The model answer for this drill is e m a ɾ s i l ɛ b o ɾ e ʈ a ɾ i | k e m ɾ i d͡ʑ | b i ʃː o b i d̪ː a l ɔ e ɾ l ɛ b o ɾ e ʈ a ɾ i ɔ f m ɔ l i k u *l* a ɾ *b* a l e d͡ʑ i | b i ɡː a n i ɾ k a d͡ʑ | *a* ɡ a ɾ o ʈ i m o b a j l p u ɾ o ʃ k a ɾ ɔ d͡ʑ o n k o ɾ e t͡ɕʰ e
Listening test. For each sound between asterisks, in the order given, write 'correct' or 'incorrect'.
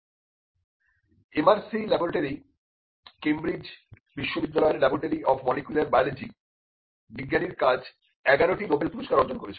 correct, correct, incorrect

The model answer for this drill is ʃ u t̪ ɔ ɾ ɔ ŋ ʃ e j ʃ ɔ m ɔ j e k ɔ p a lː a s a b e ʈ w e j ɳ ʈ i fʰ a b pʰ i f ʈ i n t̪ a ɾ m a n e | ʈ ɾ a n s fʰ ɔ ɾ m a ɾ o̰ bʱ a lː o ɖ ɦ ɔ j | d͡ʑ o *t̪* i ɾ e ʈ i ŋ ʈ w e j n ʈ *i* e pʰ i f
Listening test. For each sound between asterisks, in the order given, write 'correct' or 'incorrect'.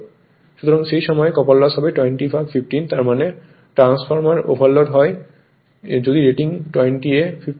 incorrect, correct

